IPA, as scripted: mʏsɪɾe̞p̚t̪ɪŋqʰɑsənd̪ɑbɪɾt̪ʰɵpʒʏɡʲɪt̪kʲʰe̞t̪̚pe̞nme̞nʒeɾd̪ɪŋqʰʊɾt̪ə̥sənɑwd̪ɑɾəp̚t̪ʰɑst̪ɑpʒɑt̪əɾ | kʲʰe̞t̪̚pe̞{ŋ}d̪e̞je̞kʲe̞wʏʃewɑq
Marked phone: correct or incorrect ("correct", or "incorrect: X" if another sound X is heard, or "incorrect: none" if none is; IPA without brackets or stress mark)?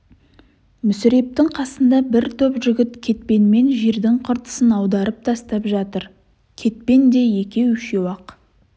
incorrect: n